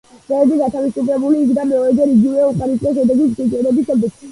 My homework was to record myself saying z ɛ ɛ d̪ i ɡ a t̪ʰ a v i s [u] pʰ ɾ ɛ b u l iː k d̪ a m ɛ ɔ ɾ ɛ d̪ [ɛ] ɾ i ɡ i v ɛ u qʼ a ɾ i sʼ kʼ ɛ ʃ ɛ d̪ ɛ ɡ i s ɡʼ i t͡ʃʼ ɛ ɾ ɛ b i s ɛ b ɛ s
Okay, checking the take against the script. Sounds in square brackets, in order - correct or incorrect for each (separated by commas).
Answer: correct, correct